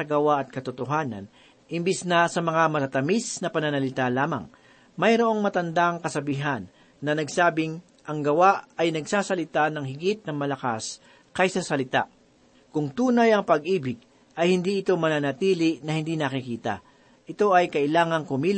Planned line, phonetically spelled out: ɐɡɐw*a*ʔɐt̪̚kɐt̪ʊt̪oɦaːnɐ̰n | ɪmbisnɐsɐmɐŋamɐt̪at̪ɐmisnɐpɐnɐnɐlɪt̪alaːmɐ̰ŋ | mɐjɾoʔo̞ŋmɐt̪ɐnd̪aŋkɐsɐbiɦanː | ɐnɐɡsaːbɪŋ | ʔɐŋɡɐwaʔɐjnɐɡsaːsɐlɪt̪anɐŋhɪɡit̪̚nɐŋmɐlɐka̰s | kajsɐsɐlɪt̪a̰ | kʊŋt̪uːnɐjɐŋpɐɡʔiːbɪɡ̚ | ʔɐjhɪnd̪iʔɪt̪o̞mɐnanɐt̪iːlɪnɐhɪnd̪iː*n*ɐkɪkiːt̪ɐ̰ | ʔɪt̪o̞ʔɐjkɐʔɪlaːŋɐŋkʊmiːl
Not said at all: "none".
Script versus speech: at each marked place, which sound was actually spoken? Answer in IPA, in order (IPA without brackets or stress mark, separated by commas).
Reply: a, n